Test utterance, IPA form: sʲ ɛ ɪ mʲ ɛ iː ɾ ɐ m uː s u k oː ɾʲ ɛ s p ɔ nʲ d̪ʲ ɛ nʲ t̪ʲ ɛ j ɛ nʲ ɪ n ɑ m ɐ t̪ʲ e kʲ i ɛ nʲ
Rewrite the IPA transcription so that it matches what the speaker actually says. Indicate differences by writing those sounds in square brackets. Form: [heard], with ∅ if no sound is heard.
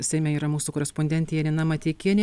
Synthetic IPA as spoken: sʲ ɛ ɪ mʲ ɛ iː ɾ ɐ m uː s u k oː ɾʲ ɛ s p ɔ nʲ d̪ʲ ɛ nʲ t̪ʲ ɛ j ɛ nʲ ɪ n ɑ m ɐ t̪ʲ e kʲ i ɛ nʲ